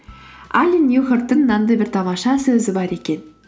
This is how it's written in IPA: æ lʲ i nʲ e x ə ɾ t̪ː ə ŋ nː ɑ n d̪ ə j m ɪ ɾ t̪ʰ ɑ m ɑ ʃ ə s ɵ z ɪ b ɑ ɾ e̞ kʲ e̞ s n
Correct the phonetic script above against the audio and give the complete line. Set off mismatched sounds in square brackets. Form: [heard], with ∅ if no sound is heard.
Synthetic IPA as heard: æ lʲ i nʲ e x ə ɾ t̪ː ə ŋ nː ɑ n d̪ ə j [b] ɪ ɾ t̪ʰ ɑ m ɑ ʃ [ɑ] s ɵ z ɪ b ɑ ɾ e̞ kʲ e̞ [∅] n